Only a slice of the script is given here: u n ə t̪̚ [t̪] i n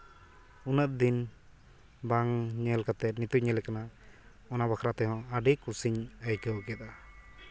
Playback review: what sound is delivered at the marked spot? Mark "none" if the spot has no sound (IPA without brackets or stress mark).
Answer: d̪